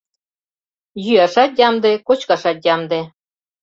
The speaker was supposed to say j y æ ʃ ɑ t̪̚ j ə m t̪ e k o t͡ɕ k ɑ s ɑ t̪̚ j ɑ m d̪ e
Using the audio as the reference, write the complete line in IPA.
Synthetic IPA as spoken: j y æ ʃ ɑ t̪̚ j ɑ m d̪ e k o t͡ɕ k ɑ ʃ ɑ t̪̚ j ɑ m d̪ e